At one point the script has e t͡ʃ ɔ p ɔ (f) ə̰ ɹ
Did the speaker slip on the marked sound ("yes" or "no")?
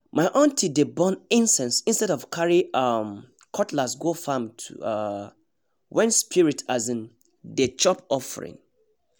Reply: no